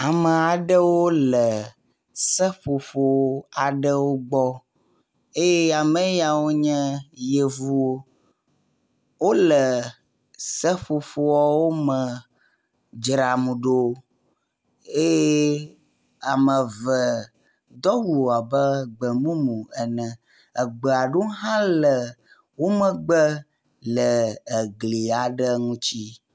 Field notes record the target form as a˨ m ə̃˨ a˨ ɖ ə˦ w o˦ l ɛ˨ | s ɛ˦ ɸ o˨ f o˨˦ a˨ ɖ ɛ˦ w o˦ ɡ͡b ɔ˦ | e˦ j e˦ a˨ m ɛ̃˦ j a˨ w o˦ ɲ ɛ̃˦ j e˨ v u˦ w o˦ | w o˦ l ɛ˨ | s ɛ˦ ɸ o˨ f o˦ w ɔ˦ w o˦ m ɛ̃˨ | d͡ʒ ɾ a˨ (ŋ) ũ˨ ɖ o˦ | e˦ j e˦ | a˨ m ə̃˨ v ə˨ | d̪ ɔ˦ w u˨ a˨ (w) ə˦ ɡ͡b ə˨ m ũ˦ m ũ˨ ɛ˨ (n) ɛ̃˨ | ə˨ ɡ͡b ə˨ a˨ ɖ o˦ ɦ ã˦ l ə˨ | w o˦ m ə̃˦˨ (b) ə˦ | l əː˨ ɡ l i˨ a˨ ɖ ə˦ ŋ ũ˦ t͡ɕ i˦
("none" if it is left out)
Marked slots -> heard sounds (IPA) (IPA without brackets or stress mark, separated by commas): m, b, n, ɡ͡b